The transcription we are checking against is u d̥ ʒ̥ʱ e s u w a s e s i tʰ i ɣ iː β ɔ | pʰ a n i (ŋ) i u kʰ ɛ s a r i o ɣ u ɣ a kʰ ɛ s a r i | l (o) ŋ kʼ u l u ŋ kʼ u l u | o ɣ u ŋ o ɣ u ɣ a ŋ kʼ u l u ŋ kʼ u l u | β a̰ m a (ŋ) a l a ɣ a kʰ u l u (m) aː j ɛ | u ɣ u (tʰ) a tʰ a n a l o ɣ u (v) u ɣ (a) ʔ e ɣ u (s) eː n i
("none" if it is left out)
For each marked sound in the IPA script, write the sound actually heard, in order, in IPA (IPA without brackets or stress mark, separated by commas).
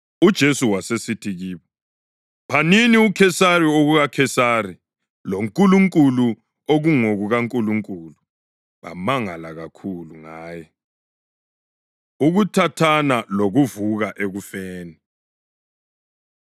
n, o, ŋ, ŋ, tʰ, v, a, f